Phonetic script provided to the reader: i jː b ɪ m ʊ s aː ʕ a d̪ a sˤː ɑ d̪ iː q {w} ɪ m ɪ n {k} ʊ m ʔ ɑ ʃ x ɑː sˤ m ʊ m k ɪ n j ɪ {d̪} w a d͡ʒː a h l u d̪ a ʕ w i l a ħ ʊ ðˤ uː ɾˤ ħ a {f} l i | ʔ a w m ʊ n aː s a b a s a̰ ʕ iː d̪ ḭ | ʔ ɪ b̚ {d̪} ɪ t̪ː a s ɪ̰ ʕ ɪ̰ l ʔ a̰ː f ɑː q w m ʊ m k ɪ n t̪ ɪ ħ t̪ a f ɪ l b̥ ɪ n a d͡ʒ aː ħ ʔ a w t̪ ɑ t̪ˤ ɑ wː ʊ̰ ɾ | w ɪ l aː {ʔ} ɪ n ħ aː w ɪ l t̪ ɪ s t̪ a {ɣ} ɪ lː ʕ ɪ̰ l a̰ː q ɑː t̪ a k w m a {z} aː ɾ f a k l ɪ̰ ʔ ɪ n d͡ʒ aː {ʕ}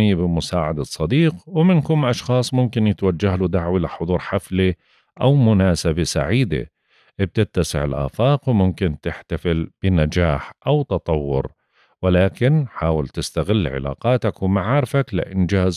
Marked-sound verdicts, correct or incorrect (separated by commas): correct, correct, incorrect, correct, incorrect, incorrect, correct, incorrect, incorrect